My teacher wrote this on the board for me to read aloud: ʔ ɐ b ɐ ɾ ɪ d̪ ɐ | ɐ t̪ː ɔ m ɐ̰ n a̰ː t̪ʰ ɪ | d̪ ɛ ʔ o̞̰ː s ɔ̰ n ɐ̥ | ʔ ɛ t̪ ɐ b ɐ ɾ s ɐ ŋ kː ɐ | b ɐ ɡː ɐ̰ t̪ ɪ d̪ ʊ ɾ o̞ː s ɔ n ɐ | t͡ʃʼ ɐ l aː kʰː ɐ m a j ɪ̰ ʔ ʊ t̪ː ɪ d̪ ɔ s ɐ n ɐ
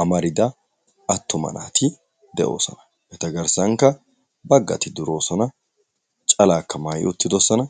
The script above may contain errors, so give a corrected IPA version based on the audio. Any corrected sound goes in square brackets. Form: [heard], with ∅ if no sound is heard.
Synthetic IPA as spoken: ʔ ɐ [m] ɐ ɾ ɪ d̪ ɐ | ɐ t̪ː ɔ m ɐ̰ n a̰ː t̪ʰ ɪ | d̪ ɛ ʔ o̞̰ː s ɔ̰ n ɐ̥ | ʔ ɛ t̪ ɐ [ɡ] ɐ ɾ s ɐ ŋ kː ɐ | b ɐ ɡː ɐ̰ t̪ ɪ d̪ ʊ ɾ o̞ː s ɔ n ɐ | t͡ʃʼ ɐ l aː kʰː ɐ m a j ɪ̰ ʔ ʊ t̪ː ɪ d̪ ɔ s ɐ n ɐ